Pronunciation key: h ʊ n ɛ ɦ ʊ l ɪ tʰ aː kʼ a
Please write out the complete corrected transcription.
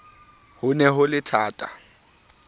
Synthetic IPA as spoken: h ʊ n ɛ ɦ ʊ l ɪ tʰ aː tʼ a